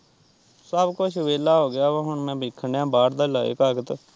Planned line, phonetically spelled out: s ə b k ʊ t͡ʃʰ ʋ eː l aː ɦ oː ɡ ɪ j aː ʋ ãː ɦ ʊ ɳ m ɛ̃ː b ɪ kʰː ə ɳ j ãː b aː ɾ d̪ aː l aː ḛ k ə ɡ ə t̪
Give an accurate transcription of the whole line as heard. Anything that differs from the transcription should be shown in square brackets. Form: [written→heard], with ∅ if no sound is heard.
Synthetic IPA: s ə b k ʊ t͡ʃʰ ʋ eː l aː ɦ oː ɡ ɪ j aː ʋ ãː ɦ ʊ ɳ m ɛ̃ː b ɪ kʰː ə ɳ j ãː b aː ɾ d̪ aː l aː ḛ k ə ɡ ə t̪